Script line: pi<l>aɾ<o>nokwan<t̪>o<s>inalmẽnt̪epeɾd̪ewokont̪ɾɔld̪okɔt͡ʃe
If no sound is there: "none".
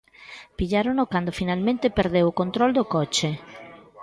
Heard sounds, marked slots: ʎ, o, d̪, f

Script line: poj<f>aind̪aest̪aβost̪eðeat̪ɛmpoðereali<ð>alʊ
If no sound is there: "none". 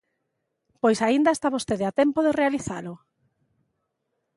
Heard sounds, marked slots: s, θ

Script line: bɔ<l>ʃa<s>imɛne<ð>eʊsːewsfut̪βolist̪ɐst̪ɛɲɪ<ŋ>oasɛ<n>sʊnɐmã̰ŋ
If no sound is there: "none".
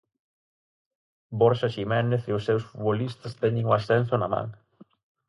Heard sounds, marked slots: ɾ, ʃ, θ, ŋ, n

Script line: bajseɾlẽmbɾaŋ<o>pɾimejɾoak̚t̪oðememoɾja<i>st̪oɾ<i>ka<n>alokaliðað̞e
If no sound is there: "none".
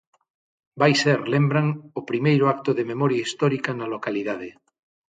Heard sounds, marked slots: o, i, i, n

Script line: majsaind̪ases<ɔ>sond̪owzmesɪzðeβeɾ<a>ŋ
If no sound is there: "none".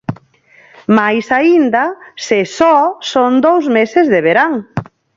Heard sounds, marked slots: ɔ, a

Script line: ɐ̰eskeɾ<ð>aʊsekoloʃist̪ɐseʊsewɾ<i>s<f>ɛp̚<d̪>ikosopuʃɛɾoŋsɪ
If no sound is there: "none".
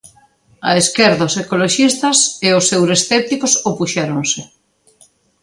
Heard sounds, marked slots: ð, e, θ, t̪

